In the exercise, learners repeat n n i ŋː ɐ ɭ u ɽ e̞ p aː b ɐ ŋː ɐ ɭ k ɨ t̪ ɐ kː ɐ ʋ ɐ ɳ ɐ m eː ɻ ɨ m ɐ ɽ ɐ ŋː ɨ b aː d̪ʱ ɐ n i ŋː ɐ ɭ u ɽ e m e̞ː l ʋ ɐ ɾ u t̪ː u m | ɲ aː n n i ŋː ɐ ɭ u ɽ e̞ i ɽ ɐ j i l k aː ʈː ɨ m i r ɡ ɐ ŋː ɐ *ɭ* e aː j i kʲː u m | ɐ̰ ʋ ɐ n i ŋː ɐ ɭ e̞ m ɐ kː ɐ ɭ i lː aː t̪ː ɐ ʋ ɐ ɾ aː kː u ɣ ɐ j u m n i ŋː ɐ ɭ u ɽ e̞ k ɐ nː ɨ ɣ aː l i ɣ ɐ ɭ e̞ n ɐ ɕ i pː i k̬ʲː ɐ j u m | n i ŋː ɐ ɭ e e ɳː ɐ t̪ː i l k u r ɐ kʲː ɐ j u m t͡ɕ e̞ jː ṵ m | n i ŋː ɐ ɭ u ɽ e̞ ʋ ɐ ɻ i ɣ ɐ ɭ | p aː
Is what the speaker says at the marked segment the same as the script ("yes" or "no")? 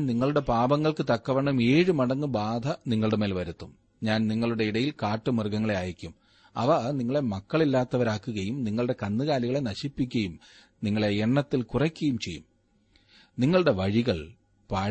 yes